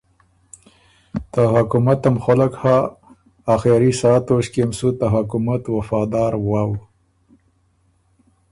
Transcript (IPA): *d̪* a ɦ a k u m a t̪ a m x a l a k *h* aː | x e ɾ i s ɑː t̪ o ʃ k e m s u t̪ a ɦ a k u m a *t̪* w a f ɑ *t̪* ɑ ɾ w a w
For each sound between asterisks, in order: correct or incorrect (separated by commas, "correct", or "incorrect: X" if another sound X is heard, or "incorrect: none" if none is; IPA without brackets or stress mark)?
incorrect: t̪, correct, correct, incorrect: d̪